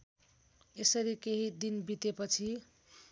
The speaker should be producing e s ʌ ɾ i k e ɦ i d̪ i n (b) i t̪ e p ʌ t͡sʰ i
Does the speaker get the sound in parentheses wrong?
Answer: no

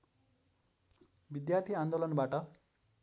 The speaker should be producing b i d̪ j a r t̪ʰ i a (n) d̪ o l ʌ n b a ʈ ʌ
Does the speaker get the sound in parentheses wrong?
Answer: no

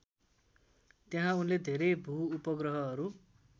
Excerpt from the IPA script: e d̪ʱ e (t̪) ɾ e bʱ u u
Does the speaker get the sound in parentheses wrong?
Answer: yes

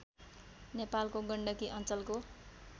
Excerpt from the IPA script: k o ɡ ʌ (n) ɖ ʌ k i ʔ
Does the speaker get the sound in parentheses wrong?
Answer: yes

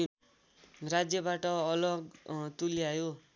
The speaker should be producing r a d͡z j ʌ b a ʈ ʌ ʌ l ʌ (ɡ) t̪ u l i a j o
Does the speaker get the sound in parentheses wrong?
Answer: no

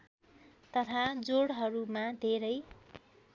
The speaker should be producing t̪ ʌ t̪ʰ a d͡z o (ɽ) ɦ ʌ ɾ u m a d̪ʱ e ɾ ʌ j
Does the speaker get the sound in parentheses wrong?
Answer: no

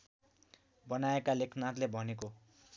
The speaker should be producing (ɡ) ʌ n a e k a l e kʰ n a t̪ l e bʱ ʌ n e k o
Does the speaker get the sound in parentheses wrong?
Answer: yes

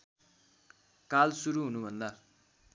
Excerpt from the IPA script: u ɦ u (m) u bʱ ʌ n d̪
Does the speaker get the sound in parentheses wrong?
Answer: yes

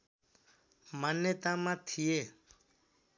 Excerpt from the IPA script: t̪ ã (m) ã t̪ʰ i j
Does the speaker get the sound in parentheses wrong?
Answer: no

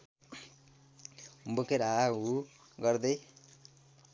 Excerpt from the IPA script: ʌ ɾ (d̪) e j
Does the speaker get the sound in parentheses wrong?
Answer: no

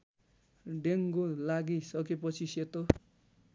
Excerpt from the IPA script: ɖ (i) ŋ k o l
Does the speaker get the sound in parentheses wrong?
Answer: yes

